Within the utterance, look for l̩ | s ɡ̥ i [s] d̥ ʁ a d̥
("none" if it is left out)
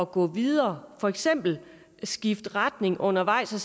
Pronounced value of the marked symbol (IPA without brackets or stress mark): f